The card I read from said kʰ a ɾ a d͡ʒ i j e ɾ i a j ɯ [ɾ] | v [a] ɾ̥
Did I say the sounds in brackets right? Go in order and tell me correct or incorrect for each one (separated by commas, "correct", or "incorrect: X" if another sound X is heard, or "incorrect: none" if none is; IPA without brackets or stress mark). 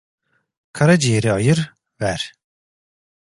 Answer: correct, incorrect: æ